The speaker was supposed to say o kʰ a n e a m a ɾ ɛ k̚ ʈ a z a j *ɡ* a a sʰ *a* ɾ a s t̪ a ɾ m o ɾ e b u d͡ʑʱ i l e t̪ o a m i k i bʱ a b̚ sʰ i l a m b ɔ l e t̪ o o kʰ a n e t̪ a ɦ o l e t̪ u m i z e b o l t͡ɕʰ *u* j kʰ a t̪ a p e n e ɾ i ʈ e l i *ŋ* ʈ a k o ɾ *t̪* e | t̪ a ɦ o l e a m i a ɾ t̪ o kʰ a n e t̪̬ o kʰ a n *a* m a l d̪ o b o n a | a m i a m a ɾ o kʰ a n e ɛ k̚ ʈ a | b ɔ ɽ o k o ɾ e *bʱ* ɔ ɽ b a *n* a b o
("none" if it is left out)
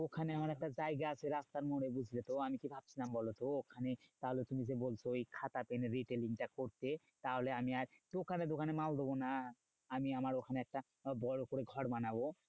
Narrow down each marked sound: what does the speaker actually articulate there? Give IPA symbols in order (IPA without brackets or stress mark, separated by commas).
ɡ, e, o, ŋ, t̪, e, ɡʱ, n